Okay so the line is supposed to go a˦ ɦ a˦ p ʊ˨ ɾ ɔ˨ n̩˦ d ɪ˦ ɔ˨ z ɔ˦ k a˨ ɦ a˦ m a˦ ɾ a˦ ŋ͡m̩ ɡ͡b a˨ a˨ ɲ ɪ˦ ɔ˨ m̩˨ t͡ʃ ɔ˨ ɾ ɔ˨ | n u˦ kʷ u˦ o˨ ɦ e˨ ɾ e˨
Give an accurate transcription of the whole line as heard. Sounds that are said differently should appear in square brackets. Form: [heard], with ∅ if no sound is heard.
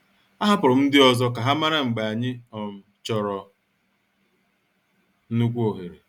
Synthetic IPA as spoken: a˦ ɦ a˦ p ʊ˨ ɾ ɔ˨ [m̩˦] d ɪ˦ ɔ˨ z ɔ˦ k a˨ ɦ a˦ m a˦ ɾ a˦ ŋ͡m̩ ɡ͡b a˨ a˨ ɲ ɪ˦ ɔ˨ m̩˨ t͡ʃ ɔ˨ ɾ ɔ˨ | n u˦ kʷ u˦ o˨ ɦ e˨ ɾ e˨